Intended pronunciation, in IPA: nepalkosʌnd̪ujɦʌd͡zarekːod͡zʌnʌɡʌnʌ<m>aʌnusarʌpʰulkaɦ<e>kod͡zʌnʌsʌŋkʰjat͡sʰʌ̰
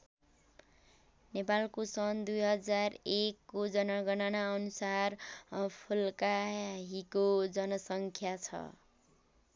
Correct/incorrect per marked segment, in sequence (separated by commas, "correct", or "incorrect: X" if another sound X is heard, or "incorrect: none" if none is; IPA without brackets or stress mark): incorrect: n, incorrect: i